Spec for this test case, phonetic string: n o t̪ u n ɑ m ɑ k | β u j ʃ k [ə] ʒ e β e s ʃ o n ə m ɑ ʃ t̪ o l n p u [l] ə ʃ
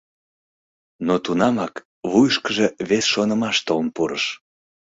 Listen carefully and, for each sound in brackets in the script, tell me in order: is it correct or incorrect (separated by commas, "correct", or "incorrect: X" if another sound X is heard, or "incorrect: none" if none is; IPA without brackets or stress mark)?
correct, incorrect: ɾ